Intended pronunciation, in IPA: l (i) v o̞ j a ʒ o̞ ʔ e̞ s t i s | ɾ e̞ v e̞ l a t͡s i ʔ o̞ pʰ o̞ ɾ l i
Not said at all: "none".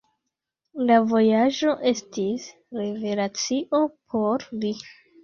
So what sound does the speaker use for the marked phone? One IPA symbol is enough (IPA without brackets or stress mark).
a